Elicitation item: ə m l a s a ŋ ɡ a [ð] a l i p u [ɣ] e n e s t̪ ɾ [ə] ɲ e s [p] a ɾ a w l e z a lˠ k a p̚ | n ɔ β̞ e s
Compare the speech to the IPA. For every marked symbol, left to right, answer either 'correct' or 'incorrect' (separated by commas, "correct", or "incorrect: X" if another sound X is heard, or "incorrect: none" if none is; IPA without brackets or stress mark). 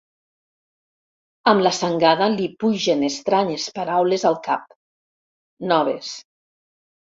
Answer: correct, incorrect: ʒ, incorrect: a, correct